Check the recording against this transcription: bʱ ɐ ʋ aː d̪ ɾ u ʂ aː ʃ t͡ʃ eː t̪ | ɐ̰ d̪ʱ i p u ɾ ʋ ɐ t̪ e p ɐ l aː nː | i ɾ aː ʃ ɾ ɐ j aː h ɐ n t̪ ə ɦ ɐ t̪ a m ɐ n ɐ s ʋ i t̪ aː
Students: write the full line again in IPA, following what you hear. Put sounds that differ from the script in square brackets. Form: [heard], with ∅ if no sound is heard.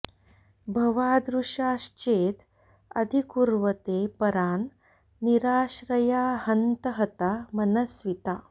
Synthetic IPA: bʱ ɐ ʋ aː d̪ ɾ u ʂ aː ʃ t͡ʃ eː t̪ | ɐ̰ d̪ʱ i [k] u ɾ ʋ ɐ t̪ e p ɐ [ɾ] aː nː | i ɾ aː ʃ ɾ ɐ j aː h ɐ n t̪ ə ɦ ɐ t̪ a m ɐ n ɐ s ʋ i t̪ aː